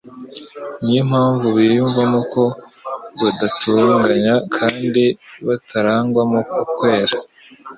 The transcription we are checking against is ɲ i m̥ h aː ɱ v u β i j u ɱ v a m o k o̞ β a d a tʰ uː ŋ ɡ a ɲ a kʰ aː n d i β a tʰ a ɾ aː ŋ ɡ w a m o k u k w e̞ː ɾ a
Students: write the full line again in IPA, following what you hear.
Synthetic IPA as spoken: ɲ i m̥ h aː ɱ v u β i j u ɱ v a m o k o̞ β a d a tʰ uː ŋ ɡ a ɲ a kʰ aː n d i β a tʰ a ɾ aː ŋ ɡ w a m o k u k w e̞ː ɾ a